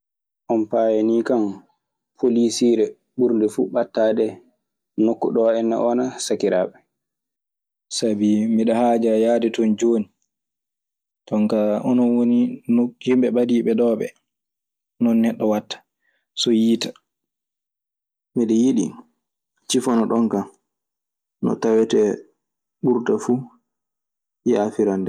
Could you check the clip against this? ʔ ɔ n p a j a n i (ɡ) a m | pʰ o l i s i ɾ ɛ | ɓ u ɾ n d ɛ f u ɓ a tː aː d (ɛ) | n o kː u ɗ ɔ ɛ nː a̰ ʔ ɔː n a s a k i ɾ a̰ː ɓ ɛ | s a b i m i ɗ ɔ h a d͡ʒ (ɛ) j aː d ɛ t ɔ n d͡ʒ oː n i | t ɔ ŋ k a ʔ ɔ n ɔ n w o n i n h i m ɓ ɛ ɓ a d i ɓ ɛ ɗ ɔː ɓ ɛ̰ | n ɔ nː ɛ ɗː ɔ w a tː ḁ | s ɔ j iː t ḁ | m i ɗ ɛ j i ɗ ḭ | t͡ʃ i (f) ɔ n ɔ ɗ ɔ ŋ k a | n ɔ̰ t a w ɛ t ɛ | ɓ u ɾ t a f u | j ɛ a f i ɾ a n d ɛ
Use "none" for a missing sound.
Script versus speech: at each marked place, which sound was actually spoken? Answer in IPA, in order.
k, ɛ, a, f

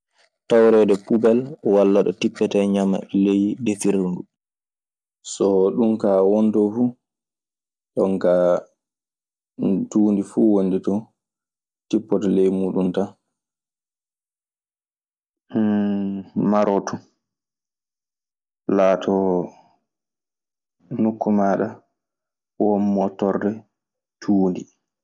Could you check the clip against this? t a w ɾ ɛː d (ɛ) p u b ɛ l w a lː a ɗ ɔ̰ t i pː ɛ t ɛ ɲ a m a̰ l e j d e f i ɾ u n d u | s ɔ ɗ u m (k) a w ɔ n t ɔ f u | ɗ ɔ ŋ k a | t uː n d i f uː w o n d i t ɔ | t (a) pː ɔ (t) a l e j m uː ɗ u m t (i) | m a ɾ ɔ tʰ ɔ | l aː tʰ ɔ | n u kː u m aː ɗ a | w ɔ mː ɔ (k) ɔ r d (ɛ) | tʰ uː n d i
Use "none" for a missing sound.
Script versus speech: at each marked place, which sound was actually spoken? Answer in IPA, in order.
ɛ, k, i, t, a, t, ɛ

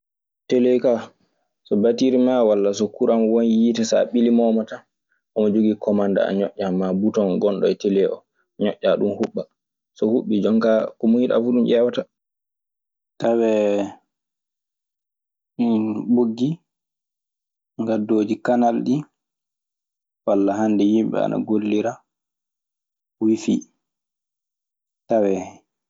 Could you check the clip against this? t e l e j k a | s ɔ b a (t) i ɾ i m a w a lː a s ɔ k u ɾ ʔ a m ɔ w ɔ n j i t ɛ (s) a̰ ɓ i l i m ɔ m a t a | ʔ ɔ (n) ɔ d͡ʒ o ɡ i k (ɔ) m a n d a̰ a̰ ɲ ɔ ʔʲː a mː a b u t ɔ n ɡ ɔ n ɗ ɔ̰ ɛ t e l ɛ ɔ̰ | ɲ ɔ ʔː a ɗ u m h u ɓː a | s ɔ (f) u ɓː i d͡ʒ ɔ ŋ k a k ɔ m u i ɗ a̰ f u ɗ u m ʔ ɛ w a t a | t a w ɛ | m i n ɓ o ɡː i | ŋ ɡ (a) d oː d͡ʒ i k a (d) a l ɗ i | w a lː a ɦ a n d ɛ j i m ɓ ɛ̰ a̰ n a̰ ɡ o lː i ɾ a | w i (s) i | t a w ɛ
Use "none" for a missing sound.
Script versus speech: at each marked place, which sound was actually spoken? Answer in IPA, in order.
t, s, m, ɔ, h, a, n, f

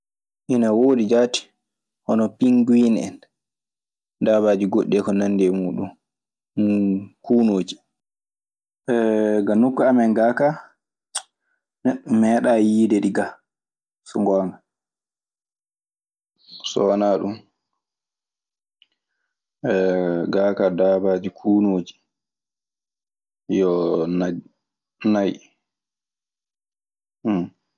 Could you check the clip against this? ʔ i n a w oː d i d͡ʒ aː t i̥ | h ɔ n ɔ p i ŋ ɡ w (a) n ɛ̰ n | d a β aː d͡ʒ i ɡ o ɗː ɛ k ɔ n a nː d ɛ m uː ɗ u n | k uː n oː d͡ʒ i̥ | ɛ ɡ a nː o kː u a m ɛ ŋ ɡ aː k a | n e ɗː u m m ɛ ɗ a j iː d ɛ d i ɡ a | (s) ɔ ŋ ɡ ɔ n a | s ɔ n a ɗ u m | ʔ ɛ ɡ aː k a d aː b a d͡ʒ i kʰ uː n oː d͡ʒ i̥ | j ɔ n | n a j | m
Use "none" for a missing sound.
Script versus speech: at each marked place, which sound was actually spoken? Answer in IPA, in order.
i, s

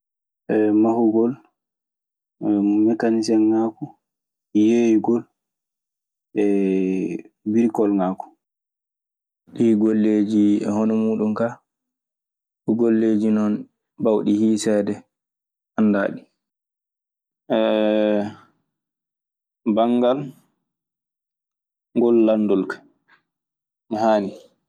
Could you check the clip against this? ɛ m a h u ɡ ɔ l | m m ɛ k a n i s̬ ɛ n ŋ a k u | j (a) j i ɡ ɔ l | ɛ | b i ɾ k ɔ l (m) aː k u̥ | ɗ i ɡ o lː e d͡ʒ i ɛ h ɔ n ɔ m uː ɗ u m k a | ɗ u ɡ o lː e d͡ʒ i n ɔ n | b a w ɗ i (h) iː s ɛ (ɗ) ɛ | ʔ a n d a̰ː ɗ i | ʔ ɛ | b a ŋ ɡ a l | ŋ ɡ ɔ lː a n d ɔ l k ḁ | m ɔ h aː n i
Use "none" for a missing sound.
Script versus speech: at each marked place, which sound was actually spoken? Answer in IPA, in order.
e, ŋ, h, d

